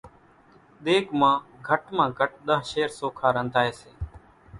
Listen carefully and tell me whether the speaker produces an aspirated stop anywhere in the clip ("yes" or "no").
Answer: yes